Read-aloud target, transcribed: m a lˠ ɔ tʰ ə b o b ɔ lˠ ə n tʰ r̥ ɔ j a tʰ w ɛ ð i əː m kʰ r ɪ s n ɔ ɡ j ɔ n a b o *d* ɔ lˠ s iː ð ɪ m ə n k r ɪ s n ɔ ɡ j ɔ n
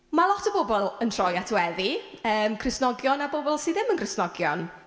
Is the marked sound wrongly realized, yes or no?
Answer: yes